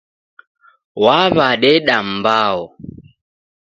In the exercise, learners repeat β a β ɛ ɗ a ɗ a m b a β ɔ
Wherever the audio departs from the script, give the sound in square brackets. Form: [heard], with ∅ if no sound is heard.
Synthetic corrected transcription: [w] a β [a] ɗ [ɛ] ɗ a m b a [∅] ɔ